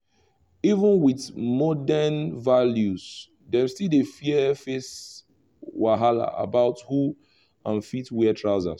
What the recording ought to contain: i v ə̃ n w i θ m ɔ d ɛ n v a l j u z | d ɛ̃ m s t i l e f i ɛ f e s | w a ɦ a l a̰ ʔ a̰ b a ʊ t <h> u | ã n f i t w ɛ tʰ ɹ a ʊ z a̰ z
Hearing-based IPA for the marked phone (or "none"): h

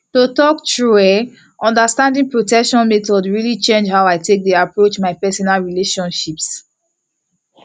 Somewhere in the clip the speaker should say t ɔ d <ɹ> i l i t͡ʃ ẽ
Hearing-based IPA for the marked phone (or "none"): ɹ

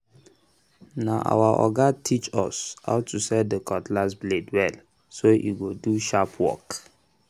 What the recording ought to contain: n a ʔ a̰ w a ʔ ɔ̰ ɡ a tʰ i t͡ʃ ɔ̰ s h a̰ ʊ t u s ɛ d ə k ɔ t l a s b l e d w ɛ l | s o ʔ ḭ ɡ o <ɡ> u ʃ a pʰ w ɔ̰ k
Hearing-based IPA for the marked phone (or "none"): d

